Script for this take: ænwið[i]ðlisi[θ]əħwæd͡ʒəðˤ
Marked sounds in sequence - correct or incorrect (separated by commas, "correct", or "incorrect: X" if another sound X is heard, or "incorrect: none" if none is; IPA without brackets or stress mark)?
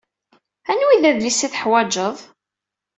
incorrect: æ, correct